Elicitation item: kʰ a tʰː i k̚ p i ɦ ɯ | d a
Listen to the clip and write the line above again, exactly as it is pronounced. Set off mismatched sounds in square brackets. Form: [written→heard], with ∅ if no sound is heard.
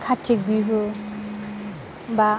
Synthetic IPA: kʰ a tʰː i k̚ [p→b] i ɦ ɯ | [d→b] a